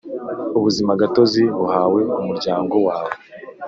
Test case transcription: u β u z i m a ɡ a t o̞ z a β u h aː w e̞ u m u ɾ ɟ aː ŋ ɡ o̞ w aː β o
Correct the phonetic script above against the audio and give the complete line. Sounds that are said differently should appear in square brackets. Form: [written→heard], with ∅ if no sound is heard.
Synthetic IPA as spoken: u β u z i m a ɡ a t o̞ z [a→i] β u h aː w e̞ u m u ɾ ɟ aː ŋ ɡ o̞ w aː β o